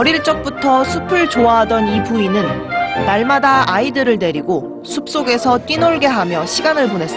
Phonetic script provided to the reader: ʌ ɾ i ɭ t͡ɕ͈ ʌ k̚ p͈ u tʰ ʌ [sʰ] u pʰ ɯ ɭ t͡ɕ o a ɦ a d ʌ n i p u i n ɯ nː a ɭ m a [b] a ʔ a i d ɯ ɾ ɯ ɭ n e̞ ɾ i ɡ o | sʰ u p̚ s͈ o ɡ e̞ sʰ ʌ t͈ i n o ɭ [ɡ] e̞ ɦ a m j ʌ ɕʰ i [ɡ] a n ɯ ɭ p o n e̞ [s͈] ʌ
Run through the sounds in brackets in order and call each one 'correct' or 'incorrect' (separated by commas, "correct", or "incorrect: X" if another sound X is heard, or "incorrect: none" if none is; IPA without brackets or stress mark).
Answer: correct, incorrect: d, correct, correct, correct